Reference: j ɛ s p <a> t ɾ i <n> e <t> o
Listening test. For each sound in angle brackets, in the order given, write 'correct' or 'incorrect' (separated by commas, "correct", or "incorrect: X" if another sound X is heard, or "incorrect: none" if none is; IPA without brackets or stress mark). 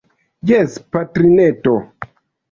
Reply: correct, correct, correct